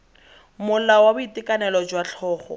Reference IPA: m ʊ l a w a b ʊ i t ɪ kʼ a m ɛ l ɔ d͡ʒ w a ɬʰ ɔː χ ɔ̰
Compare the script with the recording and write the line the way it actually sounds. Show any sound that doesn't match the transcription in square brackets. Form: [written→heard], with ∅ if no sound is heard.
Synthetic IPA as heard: m ʊ l a w a b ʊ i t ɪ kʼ a [m→n] ɛ l ɔ d͡ʒ w a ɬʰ ɔː χ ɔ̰